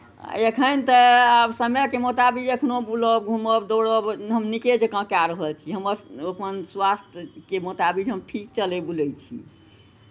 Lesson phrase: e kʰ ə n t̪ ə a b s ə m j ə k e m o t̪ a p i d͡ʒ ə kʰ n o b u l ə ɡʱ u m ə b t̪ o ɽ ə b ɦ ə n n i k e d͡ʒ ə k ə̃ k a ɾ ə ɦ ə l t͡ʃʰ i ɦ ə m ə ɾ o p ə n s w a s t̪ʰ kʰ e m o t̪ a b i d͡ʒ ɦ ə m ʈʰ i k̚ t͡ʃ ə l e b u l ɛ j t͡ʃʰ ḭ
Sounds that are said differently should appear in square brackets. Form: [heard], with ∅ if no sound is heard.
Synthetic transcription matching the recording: e kʰ ə n t̪ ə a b s ə m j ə k e m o t̪ a [b] i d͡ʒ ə kʰ n o b u l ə ɡʱ u m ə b [d̪] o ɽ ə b ɦ ə [m] n i k e d͡ʒ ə k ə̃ k a ɾ ə ɦ ə l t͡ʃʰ i ɦ ə m ə ɾ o p ə n s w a s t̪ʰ [k] e m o t̪ a b i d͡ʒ ɦ ə m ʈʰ i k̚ t͡ʃ ə l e b u l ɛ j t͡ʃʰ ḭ

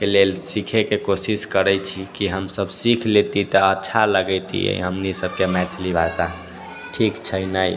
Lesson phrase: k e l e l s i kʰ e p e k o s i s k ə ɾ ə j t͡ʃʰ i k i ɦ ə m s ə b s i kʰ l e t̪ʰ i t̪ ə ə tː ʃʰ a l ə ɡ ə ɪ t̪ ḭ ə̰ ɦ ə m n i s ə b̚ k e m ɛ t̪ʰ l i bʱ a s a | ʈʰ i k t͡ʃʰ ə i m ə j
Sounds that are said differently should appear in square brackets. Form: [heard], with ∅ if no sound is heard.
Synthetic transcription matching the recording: k e l e l s i kʰ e [k] e k o s i s k ə ɾ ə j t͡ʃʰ i k i ɦ ə m s ə b s i kʰ l e [t̪] i t̪ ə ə tː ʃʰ a l ə ɡ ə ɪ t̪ ḭ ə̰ ɦ ə m n i s ə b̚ k e m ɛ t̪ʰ l i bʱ a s a | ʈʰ i k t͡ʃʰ ə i [n] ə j

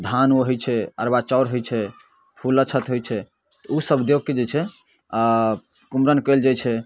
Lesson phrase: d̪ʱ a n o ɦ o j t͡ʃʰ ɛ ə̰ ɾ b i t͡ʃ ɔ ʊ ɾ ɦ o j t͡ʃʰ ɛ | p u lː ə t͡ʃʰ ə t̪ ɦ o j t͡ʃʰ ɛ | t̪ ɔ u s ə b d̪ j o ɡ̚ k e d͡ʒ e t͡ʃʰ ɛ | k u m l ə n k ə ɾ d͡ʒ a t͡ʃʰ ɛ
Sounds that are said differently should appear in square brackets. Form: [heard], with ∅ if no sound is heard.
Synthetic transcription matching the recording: d̪ʱ a n o ɦ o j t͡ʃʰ ɛ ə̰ ɾ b [a] t͡ʃ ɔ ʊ ɾ ɦ o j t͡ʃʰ ɛ | [pʰ] u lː ə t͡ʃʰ ə t̪ ɦ o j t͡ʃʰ ɛ | t̪ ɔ u s ə b d̪ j o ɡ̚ k e d͡ʒ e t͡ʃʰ ɛ | k u m [ɾ] ə n k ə [l] d͡ʒ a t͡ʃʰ ɛ

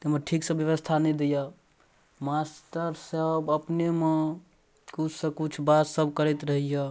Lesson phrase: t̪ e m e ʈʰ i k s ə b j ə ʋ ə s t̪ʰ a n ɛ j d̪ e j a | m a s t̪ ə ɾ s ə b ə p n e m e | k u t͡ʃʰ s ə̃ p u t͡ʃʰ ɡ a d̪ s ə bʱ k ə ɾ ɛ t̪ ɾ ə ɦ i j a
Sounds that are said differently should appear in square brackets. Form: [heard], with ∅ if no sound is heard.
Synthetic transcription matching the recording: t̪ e m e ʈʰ i k s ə b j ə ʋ ə s t̪ʰ a n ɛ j d̪ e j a | m a s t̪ ə ɾ s ə b ə p n e m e | k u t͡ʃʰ s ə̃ [k] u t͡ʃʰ [b] a [t̪] s ə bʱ k ə ɾ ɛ t̪ ɾ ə ɦ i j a

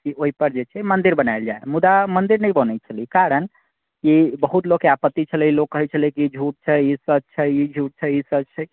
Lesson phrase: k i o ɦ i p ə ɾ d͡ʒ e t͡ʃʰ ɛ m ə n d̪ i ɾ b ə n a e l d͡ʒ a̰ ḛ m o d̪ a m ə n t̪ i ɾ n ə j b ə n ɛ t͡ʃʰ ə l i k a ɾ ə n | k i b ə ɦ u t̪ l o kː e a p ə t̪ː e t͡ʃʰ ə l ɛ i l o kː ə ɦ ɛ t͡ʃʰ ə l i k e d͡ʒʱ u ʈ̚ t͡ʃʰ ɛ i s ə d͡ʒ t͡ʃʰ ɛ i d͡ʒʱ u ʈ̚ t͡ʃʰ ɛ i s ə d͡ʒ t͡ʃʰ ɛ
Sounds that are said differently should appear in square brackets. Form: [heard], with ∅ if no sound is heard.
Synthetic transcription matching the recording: k i o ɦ i p ə ɾ d͡ʒ e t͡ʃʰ ɛ m ə n d̪ i ɾ b ə n a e l d͡ʒ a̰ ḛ m [u] d̪ a m ə n [d̪] i ɾ n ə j b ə n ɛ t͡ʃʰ ə l i k a ɾ ə n | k i b ə ɦ u t̪ l o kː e a p ə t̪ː [i] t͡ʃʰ ə l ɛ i l o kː ə ɦ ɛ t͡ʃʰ ə l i k [i] d͡ʒʱ u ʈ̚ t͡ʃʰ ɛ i s ə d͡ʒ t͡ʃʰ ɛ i d͡ʒʱ u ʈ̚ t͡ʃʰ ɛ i s ə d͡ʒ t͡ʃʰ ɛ

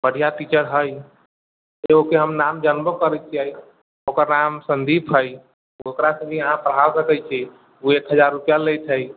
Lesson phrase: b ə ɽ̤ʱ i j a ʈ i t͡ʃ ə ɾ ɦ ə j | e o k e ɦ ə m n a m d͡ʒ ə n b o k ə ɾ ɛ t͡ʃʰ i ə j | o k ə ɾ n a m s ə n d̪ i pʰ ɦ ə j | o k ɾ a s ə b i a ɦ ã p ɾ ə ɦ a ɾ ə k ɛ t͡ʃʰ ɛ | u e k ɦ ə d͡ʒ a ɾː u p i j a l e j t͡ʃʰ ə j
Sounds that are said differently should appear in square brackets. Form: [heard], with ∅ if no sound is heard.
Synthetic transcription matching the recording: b ə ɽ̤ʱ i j a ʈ i t͡ʃ ə ɾ ɦ ə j | e o k e ɦ ə m n a m d͡ʒ ə n b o k ə ɾ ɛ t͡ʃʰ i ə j | o k ə ɾ n a m s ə n d̪ i pʰ ɦ ə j | o k ɾ a s ə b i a ɦ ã p ɾ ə ɦ a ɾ ə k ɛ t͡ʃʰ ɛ | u e k ɦ ə d͡ʒ a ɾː u p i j a l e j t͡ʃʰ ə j

